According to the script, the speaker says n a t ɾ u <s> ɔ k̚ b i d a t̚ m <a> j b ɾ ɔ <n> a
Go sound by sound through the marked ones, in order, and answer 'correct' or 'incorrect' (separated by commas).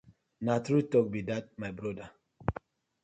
incorrect, correct, incorrect